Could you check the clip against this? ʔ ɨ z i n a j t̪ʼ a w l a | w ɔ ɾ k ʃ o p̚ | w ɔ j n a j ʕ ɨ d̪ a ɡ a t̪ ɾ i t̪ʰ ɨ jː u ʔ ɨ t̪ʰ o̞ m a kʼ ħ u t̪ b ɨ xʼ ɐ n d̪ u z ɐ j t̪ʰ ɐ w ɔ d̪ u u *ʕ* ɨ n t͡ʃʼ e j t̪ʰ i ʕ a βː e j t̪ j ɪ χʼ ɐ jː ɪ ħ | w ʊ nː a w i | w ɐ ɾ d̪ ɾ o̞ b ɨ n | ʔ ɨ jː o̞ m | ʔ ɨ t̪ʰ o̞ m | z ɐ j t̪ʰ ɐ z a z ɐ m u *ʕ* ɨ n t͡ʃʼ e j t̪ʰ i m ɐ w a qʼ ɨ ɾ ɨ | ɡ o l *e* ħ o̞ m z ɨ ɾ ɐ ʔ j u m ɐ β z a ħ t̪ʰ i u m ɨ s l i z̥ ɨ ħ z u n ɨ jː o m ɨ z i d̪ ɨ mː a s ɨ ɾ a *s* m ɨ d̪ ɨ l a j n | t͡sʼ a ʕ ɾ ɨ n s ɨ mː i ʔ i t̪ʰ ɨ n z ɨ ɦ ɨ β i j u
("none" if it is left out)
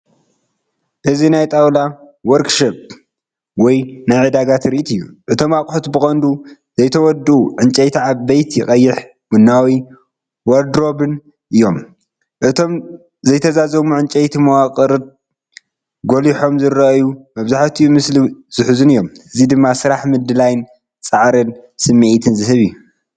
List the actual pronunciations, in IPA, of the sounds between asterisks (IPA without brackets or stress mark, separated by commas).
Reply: ʕ, ʕ, i, ħ